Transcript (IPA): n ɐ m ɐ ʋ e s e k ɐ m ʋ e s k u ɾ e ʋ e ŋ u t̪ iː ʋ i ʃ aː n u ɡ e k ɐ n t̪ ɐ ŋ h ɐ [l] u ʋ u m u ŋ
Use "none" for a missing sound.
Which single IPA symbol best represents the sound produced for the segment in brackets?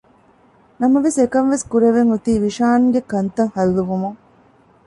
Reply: lː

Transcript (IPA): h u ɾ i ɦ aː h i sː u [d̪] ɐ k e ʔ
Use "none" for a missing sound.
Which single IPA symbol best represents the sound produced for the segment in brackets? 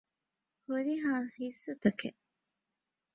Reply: t̪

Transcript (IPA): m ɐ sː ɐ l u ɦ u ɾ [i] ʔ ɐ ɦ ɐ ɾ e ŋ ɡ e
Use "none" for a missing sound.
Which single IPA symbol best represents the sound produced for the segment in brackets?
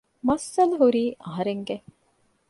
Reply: iː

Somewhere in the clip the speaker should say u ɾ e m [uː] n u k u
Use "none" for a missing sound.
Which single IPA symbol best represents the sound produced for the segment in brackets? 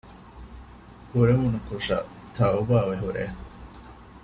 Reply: u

